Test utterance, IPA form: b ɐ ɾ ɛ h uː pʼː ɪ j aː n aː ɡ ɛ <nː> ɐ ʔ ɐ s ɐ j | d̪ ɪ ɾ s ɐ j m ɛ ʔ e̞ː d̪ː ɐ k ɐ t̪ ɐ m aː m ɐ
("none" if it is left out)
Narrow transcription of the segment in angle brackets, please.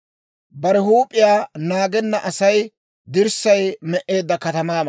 nː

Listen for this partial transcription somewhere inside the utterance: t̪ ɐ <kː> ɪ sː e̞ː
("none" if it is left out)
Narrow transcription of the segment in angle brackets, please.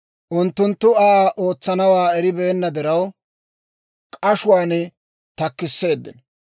kː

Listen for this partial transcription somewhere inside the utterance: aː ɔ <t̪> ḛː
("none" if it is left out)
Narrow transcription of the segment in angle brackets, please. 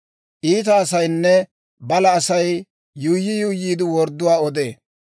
d̪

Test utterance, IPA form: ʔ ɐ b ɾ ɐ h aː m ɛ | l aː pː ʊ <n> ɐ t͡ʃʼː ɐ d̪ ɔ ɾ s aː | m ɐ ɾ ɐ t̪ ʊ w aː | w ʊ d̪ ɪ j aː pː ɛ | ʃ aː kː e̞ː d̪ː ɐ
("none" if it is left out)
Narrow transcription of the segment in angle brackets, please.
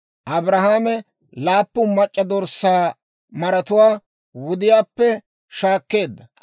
m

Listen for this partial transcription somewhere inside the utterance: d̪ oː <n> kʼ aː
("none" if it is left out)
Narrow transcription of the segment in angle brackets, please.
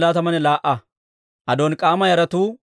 n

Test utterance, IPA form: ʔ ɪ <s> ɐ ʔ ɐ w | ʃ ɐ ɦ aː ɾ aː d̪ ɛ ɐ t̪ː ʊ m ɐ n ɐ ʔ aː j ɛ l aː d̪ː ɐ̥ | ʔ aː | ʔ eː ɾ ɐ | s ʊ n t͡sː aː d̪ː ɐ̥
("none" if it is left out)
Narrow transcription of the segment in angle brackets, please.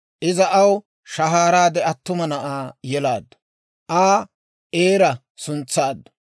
z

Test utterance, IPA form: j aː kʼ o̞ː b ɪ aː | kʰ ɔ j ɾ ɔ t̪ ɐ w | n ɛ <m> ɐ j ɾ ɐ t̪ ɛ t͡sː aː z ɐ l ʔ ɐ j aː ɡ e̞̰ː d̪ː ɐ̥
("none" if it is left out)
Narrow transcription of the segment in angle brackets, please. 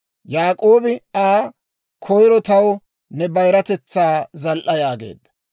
b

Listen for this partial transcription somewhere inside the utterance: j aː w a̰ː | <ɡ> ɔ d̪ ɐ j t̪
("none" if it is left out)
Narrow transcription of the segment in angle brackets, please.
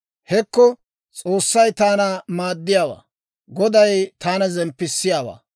ɡ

